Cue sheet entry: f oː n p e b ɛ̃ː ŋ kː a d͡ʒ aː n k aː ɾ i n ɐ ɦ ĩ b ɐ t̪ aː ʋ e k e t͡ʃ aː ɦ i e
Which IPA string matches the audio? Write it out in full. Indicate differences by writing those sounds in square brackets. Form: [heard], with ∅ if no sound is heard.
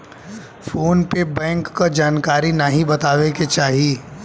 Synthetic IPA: f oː n p e b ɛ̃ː ŋ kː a d͡ʒ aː n k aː ɾ i n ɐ ɦ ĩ b ɐ t̪ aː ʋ e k e t͡ʃ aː ɦ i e